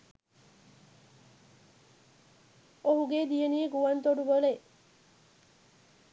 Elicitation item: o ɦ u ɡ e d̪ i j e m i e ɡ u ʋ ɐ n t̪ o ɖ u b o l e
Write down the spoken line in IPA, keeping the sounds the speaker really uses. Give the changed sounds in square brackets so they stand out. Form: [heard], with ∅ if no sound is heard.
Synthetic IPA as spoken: o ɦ u ɡ e d̪ i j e [n] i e ɡ u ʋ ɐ n t̪ o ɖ u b o l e